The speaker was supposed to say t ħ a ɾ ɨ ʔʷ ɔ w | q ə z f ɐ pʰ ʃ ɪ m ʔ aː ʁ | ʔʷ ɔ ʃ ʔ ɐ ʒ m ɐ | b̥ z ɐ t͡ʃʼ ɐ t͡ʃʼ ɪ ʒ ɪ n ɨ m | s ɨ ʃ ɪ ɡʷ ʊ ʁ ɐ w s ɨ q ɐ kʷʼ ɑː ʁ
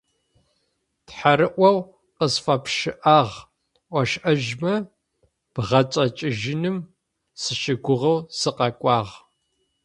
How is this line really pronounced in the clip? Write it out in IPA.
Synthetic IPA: t ħ a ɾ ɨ ʔʷ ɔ w | q ə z f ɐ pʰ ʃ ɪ ʔ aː ʁ | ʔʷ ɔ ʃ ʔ ɐ ʒ m ɐ | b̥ ʁ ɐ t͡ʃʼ ɐ t͡ʃʼ ɪ ʒ ɪ n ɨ m | s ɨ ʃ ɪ ɡʷ ʊ ʁ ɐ w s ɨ q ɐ kʷʼ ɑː ʁ